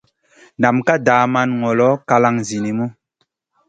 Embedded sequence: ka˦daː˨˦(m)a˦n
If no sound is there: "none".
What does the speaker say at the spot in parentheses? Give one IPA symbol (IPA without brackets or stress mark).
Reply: m